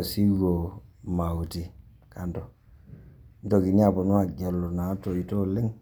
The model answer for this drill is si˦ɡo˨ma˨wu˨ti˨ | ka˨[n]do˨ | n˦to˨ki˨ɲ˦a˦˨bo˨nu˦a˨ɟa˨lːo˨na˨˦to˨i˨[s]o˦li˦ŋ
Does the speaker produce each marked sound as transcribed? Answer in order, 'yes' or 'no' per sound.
yes, no

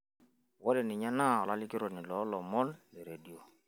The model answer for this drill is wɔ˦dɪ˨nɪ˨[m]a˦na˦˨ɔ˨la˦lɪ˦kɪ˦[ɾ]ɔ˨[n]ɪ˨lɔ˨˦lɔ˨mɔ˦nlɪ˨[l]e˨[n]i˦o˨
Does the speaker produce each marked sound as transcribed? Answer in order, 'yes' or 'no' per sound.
no, yes, yes, no, no

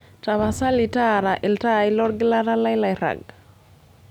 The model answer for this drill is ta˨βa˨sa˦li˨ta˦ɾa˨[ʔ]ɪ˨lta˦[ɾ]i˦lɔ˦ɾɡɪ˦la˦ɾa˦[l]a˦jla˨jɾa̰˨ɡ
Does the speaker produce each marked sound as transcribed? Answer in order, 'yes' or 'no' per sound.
yes, no, yes

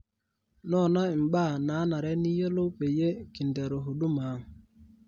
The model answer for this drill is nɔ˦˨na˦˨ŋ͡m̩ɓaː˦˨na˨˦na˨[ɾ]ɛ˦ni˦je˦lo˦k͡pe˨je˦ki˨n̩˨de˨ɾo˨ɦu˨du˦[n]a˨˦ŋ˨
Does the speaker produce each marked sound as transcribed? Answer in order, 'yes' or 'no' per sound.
yes, no

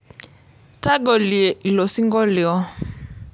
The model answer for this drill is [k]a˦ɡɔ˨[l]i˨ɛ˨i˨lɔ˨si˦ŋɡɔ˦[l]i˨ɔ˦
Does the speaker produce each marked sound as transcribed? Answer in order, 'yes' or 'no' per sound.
no, yes, yes

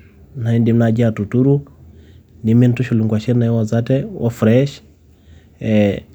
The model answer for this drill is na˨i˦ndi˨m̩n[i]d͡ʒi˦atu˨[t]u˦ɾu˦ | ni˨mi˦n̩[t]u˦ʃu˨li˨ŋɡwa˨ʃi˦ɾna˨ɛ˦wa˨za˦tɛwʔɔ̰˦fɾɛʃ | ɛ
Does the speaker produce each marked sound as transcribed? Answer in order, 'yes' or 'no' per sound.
no, yes, yes

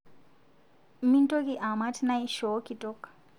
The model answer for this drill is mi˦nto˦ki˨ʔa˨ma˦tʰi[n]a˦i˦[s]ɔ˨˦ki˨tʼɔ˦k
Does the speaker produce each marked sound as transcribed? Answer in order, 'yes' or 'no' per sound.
yes, no

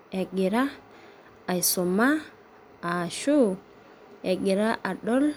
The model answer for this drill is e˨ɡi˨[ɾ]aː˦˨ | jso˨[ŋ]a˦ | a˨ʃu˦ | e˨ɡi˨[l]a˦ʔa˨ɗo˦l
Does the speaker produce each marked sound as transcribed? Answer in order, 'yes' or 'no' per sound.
yes, no, no

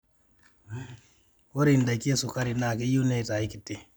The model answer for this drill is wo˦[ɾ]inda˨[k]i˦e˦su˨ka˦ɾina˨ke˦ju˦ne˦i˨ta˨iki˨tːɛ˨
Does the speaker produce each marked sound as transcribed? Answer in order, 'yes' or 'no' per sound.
yes, yes

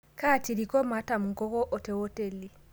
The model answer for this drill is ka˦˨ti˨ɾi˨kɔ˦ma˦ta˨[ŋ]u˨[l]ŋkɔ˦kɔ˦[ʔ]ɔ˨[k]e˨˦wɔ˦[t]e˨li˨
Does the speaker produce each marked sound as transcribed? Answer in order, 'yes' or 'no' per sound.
no, no, yes, no, yes

